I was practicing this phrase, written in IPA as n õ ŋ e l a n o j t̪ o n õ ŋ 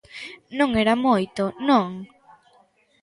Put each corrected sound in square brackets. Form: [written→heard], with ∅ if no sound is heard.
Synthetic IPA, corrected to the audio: n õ ŋ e [l→ɾ] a [n→m] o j t̪ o n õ ŋ